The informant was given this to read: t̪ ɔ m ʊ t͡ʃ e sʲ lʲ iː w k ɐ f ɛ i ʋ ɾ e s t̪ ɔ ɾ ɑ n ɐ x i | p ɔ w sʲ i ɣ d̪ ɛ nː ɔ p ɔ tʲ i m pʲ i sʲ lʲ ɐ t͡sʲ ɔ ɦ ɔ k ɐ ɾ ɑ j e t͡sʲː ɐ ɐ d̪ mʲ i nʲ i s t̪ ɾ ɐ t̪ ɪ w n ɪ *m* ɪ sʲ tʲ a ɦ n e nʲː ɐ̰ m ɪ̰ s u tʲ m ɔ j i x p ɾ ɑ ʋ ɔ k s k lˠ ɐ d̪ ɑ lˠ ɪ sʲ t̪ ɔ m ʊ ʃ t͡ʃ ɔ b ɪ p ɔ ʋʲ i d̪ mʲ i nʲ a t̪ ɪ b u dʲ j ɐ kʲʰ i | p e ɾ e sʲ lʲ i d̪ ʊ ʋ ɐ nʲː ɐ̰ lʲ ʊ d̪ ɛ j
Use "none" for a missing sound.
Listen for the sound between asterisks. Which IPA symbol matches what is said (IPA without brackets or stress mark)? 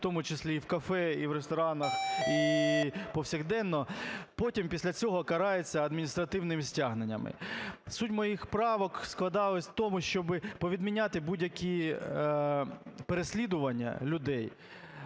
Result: m